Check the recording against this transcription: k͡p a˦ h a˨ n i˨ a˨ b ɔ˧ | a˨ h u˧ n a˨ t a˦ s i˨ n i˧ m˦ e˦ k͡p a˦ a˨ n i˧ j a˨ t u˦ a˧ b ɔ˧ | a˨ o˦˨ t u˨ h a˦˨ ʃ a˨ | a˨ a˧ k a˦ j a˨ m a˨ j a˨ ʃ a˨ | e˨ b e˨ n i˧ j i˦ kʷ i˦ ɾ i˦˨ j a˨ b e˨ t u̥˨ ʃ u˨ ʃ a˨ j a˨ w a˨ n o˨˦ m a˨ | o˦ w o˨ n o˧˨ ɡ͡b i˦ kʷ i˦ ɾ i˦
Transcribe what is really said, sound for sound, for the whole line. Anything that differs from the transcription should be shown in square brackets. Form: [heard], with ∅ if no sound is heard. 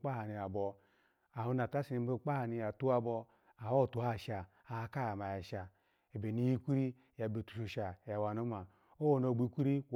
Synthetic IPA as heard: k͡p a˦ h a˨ n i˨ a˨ b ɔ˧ | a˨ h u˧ n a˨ t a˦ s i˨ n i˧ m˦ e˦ k͡p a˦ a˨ n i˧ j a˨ t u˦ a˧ b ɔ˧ | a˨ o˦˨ t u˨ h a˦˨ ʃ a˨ | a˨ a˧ k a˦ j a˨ m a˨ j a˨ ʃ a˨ | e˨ b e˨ n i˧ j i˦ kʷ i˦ ɾ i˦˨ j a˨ b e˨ t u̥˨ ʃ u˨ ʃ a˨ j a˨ w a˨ n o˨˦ m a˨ | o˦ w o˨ n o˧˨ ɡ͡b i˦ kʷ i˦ ɾ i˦